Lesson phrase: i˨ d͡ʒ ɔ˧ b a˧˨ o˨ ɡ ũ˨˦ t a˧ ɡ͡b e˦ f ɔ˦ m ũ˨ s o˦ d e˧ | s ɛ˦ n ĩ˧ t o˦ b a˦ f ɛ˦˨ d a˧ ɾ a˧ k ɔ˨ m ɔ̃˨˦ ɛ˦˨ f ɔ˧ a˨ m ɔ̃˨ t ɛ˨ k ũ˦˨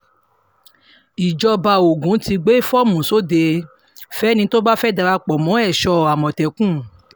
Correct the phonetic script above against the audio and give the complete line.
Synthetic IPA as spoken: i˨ d͡ʒ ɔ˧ b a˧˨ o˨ ɡ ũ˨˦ t i˧ ɡ͡b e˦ f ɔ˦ m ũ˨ s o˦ d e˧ | f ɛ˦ n ĩ˧ t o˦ b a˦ f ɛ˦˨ d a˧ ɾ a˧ k͡p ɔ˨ m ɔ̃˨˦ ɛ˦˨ ʃ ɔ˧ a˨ m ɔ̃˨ t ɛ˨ k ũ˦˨

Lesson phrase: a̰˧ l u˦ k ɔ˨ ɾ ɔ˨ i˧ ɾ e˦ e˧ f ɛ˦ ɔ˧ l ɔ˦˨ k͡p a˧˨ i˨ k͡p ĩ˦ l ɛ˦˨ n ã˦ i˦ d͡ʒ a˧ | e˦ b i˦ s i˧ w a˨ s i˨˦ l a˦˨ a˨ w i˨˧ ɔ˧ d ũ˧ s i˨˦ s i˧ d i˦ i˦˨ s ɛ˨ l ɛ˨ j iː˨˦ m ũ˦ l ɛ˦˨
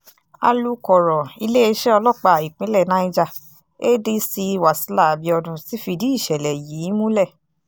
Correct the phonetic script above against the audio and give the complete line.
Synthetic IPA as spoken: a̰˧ l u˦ k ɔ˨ ɾ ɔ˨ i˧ l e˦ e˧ ʃ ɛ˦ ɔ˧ l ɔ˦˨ k͡p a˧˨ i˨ k͡p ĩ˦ l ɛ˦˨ n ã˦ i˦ d͡ʒ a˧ | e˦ d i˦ s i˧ w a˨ s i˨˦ l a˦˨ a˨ b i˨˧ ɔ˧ d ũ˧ s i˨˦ f i˧ d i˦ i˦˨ ʃ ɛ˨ l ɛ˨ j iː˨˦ m ũ˦ l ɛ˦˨

